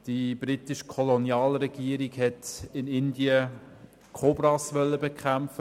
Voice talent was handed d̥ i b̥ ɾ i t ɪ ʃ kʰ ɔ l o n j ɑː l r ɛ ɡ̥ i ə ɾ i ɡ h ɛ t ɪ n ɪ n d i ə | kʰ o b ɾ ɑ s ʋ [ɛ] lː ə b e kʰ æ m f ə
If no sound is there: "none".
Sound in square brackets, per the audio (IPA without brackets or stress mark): œ